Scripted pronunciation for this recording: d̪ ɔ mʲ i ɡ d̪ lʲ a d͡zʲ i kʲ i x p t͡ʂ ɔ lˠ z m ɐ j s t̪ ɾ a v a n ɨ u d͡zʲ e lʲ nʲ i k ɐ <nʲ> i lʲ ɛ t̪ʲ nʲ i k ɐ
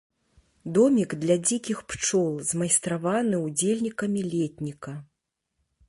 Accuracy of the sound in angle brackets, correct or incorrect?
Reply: incorrect